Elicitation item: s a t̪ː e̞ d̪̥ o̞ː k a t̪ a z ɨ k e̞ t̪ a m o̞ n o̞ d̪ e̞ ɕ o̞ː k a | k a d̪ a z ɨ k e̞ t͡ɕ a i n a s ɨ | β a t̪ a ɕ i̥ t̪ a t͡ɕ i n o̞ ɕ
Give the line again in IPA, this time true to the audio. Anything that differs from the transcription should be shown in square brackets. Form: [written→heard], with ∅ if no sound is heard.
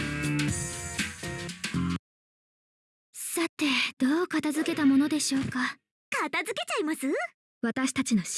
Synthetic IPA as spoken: s a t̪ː e̞ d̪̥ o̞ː k a t̪ a z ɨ k e̞ t̪ a m o̞ n o̞ d̪ e̞ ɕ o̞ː k a | k a [d̪→t̪] a z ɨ k e̞ t͡ɕ a i [n→m] a s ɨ | β a t̪ a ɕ i̥ t̪ a t͡ɕ i n o̞ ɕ